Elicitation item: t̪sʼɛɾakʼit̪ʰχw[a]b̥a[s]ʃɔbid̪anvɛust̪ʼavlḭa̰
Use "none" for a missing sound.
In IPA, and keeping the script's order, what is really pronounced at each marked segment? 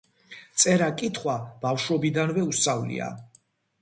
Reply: a, f

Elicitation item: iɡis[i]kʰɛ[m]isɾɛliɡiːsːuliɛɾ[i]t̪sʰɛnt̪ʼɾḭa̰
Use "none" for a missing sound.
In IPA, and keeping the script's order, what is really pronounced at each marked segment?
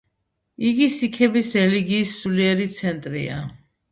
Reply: i, b, i

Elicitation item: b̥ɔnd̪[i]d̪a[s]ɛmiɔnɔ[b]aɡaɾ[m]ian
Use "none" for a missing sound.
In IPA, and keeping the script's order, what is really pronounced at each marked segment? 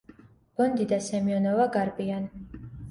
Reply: i, s, v, b

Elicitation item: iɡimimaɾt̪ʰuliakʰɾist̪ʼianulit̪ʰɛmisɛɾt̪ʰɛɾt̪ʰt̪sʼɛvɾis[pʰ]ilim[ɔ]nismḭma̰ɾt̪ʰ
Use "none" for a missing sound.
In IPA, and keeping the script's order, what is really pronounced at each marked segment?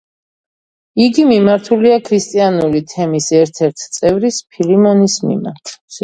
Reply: pʰ, ɔ

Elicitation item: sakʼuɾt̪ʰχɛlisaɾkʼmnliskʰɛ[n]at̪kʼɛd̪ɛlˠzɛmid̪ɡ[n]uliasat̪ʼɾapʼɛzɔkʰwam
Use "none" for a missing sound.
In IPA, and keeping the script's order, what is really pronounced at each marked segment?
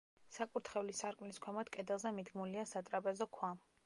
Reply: m, m

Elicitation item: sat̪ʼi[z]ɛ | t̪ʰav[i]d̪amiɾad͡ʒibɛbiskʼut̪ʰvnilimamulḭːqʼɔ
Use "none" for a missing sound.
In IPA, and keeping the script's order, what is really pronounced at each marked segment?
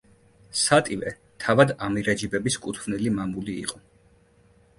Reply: v, a

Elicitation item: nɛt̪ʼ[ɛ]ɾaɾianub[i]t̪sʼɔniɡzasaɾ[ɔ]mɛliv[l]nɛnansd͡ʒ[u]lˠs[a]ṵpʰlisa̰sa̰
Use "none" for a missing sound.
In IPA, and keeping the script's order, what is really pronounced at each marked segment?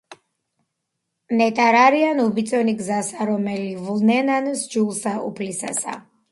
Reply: a, i, ɔ, l, u, a

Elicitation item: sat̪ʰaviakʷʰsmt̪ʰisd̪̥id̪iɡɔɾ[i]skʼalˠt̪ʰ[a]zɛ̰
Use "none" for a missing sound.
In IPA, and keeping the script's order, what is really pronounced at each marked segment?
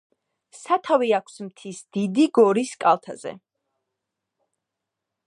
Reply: i, a

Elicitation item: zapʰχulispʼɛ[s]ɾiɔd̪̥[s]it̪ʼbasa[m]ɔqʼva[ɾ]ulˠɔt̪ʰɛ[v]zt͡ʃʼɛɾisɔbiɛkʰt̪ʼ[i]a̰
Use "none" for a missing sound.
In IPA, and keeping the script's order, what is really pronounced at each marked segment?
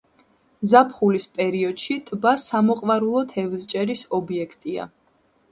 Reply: none, ʃ, m, ɾ, v, i

